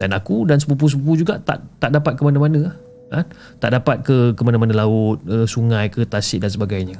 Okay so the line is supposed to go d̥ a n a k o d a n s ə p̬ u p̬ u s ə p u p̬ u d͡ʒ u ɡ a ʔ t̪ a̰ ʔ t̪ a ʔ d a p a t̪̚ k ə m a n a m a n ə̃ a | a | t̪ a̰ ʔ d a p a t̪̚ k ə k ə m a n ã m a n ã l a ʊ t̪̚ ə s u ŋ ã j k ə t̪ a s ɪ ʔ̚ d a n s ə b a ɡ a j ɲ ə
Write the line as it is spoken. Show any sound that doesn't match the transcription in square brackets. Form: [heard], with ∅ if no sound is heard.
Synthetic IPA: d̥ a n a k [u] d a n s ə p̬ u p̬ u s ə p u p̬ u d͡ʒ u ɡ a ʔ t̪ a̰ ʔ t̪ a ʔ d a p a t̪̚ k ə m a n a m a n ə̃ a | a | t̪ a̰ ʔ d a p a t̪̚ k ə k ə m a n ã m a n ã l a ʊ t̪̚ ə s u ŋ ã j k ə t̪ a s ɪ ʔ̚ d a n s ə b a ɡ a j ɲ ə